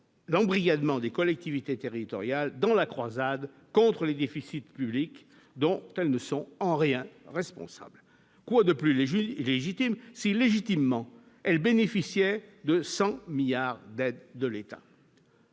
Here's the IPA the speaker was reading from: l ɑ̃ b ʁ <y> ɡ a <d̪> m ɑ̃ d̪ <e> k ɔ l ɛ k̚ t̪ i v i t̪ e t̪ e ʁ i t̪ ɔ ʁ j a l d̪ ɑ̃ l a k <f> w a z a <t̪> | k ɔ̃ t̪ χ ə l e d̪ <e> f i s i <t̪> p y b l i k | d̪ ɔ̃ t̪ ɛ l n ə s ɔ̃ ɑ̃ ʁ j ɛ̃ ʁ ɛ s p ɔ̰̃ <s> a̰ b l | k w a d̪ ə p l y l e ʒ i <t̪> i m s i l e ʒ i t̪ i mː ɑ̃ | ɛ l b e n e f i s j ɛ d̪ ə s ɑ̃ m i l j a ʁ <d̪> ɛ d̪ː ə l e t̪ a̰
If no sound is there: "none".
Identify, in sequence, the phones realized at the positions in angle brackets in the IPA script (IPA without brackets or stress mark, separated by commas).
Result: i, d̪, e, χ, d̪, e, t̪, s, t̪, d̪